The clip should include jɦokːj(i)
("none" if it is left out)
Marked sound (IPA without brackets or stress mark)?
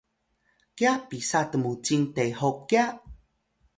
a